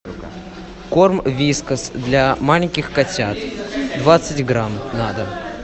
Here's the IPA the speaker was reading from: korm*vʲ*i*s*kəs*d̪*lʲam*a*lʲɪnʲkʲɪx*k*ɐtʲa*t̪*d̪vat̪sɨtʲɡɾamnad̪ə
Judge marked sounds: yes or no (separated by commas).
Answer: yes, yes, yes, yes, yes, yes